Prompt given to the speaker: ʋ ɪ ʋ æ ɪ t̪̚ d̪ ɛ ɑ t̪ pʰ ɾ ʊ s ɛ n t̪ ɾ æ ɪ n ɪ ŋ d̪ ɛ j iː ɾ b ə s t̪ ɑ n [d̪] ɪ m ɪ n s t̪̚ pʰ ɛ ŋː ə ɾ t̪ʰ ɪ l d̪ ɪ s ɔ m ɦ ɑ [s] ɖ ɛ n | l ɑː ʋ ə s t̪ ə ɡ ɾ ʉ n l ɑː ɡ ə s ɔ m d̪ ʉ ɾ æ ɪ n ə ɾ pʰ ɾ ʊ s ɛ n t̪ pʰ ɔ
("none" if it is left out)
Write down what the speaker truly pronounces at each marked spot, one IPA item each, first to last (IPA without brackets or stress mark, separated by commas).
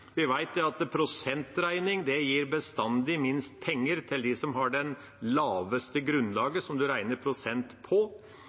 d̪, none